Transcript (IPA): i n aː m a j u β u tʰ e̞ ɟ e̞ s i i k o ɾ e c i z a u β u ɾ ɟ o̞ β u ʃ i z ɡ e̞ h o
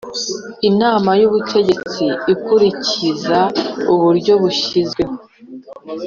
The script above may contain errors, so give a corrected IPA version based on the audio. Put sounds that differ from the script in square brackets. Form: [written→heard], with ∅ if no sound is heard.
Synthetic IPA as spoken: i n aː m a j u β u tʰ e̞ ɟ e̞ [s→t͡s] i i k [o→u] ɾ [e→i] c i z a u β u ɾ ɟ o̞ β u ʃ i z ɡ e̞ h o